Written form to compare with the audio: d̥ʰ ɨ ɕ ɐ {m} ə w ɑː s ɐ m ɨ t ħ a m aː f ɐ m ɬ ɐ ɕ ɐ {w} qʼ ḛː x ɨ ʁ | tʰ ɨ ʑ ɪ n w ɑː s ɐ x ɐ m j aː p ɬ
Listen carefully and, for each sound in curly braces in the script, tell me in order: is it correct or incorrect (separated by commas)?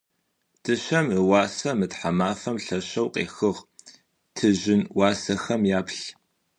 correct, correct